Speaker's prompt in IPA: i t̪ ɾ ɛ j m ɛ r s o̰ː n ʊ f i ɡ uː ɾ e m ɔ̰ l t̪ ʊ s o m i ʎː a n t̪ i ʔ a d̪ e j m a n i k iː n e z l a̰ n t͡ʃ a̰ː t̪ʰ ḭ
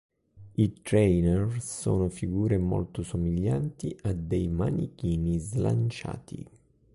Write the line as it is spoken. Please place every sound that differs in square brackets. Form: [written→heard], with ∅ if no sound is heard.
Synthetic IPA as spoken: i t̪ ɾ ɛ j [m→n] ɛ r s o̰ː n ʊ f i ɡ uː ɾ e m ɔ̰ l t̪ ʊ s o m i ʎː a n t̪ i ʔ a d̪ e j m a n i k iː n [e→i] z l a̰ n t͡ʃ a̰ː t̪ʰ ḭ